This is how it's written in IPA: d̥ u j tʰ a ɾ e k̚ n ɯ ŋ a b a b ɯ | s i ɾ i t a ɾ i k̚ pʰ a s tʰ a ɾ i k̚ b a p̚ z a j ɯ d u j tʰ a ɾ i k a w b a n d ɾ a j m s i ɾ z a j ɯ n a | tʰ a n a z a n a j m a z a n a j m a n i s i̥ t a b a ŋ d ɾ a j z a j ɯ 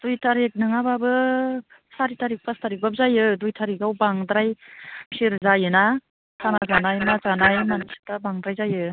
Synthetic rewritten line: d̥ u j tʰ a ɾ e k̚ n ɯ ŋ a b a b ɯ | s a ɾ i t a ɾ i k̚ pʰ a s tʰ a ɾ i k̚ b a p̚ z a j ɯ d u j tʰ a ɾ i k a w b a ŋ d ɾ a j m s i ɾ z a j ɯ n a | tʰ a n a z a n a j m a z a n a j m a n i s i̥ t a b a ŋ d ɾ a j z a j ɯ